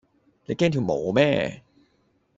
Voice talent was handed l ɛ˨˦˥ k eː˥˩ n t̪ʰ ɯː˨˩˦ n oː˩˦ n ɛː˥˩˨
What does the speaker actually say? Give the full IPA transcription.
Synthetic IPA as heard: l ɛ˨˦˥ k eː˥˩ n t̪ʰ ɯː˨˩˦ m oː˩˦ m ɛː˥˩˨